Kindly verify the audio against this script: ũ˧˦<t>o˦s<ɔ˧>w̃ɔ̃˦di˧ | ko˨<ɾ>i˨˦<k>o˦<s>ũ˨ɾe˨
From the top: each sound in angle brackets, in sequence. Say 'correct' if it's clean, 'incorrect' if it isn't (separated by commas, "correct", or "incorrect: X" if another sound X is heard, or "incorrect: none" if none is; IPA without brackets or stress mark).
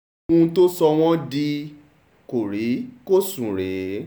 correct, correct, correct, correct, correct